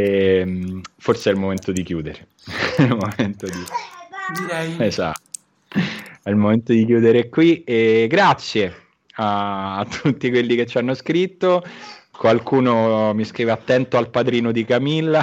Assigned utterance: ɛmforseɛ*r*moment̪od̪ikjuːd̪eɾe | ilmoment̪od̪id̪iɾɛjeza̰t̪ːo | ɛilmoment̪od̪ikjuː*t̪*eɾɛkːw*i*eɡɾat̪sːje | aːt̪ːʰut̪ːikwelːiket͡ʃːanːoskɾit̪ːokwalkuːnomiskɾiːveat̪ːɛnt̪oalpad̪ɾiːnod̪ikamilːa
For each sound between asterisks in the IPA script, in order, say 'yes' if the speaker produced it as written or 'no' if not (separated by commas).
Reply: no, no, yes